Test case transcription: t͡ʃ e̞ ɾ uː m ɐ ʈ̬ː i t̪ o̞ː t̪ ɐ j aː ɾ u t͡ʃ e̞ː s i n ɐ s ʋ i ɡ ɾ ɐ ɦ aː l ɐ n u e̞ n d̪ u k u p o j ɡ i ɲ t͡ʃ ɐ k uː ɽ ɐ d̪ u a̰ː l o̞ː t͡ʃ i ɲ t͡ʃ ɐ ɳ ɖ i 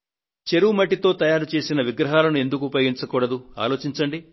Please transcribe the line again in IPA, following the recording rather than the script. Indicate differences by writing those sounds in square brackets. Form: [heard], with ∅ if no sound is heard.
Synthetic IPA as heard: t͡ʃ e̞ ɾ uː m ɐ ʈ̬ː i t̪ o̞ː t̪ ɐ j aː ɾ u t͡ʃ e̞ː s i n ɐ [∅] ʋ i ɡ ɾ ɐ ɦ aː l ɐ n u e̞ n d̪ u k u p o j ɡ i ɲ t͡ʃ ɐ k uː ɽ ɐ d̪ u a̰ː l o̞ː t͡ʃ i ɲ t͡ʃ ɐ ɳ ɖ i